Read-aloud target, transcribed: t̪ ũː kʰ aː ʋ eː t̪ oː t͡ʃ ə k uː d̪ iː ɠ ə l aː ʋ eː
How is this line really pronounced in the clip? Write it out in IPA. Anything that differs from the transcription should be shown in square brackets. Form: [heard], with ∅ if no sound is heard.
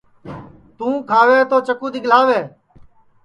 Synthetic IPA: t̪ ũː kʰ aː ʋ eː t̪ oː t͡ʃ ə k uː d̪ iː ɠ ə l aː ʋ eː

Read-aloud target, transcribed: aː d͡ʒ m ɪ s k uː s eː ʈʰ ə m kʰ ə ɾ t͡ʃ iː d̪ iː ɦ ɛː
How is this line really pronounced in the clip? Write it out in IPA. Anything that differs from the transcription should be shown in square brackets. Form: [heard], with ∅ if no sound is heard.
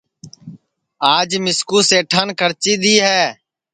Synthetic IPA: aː d͡ʒ m ɪ s k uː s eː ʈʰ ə [n] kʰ ə ɾ t͡ʃ iː d̪ iː ɦ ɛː

